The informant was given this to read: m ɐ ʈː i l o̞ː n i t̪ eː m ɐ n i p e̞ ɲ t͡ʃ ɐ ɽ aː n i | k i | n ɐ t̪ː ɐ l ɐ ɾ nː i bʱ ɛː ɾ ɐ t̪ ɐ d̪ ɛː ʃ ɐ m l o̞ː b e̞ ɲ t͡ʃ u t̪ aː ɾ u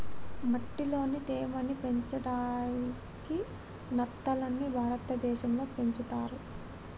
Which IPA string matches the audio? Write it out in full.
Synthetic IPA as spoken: m ɐ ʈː i l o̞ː n i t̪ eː m ɐ n i p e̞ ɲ t͡ʃ ɐ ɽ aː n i | k i | n ɐ t̪ː ɐ l ɐ nː i bʱ aː ɾ ɐ t̪ ɐ d̪ ɛː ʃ ɐ m l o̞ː p e̞ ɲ t͡ʃ u t̪ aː ɾ u